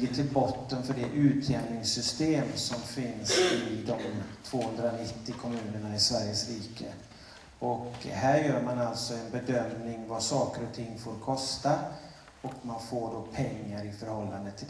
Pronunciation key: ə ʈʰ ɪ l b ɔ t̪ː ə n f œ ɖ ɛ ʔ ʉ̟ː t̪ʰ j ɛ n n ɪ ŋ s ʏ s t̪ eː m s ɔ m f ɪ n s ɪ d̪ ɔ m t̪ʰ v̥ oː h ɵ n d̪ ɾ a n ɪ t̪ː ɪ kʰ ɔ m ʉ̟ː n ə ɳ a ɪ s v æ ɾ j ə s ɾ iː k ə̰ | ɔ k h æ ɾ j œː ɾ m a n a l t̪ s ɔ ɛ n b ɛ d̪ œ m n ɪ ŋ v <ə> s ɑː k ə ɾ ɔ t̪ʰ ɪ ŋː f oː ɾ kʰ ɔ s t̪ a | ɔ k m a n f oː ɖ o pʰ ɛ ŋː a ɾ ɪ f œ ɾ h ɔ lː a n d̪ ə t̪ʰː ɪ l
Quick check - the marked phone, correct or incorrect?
incorrect: a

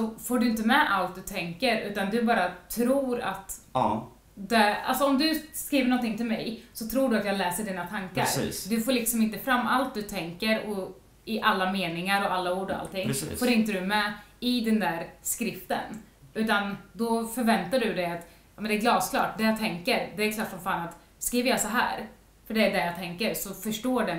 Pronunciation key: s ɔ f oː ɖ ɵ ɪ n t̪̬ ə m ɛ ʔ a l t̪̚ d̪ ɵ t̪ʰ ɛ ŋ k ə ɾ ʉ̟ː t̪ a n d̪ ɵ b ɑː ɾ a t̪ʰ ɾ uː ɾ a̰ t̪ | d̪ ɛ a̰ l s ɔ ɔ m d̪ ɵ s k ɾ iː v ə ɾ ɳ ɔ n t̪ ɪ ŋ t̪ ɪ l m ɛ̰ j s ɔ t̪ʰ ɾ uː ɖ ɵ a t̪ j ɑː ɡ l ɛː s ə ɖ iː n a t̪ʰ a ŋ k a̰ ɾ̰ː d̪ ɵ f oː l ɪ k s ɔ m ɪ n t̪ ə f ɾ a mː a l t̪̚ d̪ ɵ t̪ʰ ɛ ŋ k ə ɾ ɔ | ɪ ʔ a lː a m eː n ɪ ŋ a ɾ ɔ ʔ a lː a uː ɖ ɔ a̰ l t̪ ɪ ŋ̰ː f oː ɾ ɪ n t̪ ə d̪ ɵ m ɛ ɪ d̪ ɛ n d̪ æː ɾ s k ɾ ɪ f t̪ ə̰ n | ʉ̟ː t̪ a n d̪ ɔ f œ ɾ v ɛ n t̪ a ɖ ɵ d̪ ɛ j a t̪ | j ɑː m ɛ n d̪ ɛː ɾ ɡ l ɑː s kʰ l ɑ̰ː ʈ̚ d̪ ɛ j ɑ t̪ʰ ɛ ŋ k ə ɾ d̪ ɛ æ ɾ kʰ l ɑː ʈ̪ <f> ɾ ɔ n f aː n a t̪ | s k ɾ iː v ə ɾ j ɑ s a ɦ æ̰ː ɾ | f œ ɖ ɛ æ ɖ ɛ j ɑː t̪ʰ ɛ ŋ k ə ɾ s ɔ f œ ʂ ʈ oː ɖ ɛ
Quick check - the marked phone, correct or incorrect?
correct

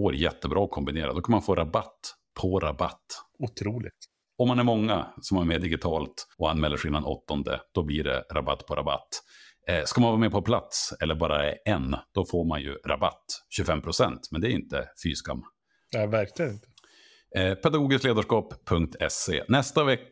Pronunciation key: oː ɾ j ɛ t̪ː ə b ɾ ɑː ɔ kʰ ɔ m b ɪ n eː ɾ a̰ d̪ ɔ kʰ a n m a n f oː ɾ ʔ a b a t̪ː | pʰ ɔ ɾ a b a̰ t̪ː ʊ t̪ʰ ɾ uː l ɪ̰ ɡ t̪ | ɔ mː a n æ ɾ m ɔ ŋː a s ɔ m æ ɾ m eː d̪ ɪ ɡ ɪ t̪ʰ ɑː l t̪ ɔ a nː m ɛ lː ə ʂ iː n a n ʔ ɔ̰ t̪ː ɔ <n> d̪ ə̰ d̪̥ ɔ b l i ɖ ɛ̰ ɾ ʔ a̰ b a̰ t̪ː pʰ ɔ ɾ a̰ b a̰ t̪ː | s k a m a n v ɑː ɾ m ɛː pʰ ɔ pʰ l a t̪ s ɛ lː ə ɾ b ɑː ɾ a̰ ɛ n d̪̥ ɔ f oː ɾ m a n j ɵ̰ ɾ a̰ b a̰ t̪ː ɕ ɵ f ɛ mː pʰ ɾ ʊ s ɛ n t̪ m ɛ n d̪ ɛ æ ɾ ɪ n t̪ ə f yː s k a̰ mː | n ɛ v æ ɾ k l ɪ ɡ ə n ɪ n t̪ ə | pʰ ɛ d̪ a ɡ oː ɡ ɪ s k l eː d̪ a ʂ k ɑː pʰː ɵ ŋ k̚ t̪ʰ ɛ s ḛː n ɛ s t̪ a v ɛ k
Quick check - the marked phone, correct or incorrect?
correct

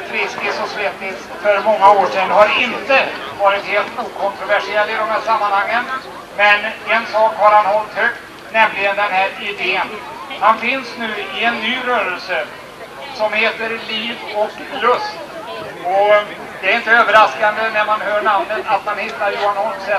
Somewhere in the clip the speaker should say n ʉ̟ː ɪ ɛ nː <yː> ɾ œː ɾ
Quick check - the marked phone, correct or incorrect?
correct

